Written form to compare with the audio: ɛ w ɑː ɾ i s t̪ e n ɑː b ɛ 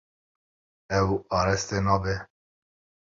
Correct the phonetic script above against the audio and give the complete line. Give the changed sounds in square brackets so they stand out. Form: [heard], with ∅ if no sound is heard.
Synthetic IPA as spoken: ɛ w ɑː ɾ [ɛ] s t̪ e n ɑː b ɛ